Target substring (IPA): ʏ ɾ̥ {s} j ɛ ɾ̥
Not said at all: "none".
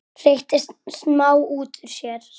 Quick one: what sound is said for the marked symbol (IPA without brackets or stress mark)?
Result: s